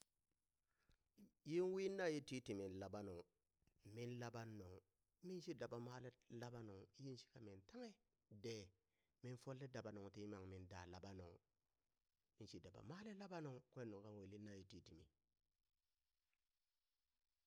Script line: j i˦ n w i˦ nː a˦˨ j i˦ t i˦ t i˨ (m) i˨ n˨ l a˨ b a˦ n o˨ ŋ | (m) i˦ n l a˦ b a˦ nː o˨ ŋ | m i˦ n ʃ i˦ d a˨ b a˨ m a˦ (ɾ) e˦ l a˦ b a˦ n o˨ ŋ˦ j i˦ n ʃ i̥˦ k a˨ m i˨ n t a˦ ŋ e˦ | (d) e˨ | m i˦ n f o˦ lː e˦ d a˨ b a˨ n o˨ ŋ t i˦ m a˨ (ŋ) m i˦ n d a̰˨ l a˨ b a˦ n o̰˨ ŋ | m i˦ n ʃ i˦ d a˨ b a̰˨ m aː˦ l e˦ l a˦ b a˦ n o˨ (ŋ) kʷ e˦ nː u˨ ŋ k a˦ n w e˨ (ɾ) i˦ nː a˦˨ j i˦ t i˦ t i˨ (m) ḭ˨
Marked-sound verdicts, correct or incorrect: correct, correct, incorrect: l, correct, correct, correct, incorrect: l, correct

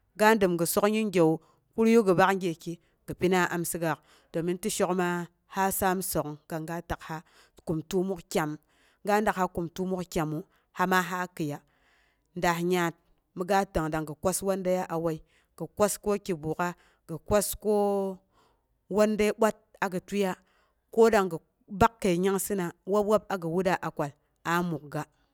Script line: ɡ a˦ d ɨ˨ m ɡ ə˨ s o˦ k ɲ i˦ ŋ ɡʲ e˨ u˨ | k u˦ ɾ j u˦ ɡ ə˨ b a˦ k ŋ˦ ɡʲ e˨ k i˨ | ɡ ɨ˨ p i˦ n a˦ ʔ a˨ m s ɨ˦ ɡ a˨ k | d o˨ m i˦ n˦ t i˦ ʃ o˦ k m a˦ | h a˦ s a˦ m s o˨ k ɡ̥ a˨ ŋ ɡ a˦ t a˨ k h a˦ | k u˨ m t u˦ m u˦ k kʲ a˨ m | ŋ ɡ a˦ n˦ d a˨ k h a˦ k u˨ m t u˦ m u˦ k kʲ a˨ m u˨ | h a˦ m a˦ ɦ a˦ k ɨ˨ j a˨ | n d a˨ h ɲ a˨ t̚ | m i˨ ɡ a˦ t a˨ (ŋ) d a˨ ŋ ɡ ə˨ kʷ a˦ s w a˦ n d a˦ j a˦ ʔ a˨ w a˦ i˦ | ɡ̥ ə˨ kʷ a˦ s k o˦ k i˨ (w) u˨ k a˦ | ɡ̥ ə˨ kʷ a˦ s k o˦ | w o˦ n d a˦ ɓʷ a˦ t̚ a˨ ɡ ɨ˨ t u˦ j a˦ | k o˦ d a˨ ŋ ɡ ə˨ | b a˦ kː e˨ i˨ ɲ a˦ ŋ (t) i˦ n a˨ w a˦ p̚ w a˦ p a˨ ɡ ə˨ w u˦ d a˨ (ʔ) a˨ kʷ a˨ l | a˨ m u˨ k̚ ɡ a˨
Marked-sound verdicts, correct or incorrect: correct, incorrect: b, incorrect: s, correct

